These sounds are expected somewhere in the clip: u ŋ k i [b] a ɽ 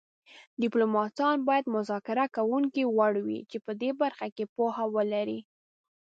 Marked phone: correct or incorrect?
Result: incorrect